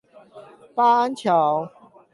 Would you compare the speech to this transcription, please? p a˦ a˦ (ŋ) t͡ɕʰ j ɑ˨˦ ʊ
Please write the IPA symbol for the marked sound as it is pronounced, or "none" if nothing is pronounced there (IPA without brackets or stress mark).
n